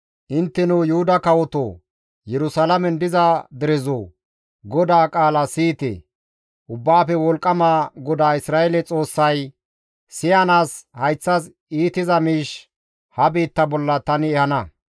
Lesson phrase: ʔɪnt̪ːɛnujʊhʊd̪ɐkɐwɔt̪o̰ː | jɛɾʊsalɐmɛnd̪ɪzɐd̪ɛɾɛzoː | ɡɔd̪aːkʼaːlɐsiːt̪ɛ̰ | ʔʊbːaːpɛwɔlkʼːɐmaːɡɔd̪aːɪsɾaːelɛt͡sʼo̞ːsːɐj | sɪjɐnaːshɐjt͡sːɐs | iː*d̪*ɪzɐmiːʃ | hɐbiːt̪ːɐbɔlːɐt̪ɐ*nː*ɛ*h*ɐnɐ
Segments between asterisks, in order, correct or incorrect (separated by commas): incorrect, incorrect, correct